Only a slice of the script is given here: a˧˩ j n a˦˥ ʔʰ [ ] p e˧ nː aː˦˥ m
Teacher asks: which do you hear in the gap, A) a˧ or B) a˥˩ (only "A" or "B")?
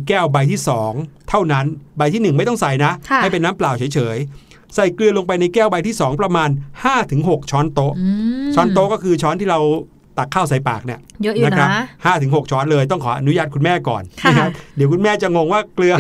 B